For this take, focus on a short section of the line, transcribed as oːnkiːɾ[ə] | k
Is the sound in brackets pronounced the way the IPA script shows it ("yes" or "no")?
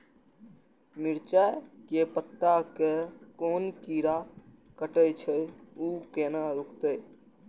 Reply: no